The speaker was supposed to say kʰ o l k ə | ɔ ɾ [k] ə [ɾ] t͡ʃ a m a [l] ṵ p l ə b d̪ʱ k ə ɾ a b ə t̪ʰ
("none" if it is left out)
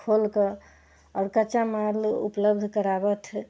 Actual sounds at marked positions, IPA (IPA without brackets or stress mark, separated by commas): k, none, l